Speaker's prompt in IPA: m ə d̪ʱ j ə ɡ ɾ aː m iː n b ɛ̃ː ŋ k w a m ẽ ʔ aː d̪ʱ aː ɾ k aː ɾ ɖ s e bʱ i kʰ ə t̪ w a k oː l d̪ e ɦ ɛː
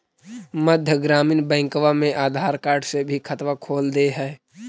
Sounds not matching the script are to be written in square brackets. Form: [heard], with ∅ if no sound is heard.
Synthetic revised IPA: m ə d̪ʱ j ə ɡ ɾ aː m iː n b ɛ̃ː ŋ k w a m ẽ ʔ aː d̪ʱ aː ɾ k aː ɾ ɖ s e bʱ i kʰ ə t̪ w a [kʰ] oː l d̪ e ɦ ɛː